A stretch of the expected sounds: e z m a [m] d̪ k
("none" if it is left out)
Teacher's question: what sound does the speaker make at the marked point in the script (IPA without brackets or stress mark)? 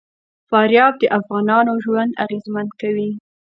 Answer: n